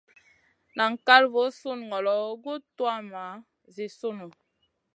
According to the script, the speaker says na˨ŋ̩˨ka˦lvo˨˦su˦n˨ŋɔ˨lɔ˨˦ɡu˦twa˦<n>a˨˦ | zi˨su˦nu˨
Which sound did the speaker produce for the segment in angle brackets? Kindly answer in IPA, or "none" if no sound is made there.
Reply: m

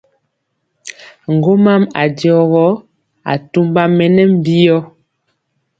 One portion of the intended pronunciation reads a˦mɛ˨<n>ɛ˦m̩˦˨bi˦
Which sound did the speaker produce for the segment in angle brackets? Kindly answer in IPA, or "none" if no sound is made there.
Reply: n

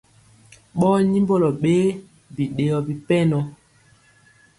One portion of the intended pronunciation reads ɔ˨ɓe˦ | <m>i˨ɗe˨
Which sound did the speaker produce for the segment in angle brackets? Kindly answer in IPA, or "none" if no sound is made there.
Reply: b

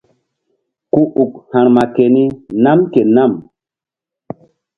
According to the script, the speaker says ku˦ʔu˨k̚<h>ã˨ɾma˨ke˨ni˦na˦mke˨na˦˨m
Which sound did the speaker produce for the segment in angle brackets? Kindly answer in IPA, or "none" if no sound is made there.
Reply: h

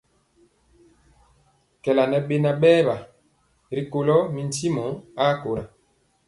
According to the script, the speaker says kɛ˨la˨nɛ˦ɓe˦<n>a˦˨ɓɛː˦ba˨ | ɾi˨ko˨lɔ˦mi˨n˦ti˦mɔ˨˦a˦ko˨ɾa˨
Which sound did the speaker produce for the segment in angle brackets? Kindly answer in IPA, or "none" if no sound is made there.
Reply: n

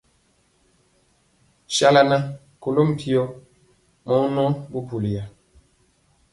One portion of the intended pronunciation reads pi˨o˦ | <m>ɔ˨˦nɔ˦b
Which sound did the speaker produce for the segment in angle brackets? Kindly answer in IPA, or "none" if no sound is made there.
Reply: m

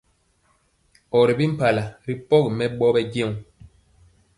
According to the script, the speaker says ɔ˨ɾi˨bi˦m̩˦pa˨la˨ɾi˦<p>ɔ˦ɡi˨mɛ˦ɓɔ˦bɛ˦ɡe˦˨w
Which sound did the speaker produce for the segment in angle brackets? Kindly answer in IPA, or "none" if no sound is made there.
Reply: p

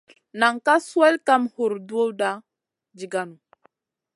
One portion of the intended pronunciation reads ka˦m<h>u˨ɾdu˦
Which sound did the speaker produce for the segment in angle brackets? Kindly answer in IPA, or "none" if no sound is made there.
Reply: h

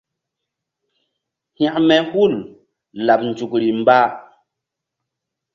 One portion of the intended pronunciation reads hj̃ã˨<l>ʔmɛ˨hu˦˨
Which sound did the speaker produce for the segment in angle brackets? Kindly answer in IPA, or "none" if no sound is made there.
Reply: none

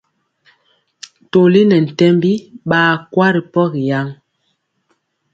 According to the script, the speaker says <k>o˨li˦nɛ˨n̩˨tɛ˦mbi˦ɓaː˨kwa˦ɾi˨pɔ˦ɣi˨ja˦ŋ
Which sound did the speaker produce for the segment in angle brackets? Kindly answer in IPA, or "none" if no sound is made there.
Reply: t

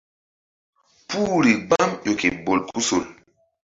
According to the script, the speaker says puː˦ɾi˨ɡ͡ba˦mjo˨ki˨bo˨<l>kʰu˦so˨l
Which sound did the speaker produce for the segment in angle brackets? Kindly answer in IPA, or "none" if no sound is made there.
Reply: l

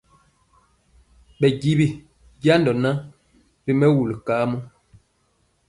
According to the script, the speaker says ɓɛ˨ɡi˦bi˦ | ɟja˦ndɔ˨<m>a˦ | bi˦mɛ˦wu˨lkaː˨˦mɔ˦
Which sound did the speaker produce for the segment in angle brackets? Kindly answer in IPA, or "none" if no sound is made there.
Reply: n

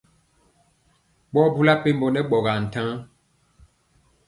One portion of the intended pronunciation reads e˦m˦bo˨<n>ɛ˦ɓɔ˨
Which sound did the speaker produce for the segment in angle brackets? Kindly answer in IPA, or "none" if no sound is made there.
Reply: n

